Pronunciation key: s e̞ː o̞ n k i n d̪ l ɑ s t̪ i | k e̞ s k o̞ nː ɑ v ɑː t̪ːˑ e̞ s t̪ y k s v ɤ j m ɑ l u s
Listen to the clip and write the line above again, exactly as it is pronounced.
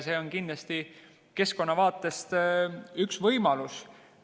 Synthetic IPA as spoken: s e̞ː o̞ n k i n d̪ l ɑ s t̪ i | k e̞ s k o̞ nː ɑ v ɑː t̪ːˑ e̞ s t̪ y k s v ɤ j m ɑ l u s